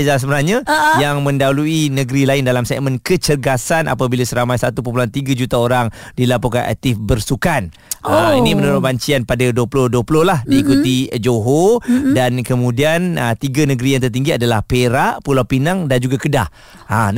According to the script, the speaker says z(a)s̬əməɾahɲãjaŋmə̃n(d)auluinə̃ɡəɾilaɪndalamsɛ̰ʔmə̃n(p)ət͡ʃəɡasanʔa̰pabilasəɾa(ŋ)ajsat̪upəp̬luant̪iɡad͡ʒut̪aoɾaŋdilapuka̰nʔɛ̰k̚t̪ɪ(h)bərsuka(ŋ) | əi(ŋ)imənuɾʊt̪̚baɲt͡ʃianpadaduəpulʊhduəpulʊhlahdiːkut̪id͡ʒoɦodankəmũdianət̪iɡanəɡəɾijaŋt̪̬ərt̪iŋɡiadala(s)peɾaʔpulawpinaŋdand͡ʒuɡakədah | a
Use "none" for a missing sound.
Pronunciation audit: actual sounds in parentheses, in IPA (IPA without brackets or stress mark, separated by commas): a, d, k, m, f, n, n, h